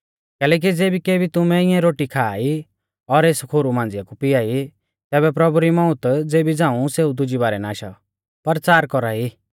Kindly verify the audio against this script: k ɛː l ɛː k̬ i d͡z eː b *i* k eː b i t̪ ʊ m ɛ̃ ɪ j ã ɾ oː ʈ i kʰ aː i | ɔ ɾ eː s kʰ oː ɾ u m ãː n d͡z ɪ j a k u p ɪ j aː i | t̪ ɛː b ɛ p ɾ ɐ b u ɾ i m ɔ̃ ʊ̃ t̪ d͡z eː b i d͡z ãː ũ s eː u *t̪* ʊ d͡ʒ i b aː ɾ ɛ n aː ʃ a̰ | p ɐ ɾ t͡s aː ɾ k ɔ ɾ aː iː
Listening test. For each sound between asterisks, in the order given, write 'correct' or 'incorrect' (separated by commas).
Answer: correct, incorrect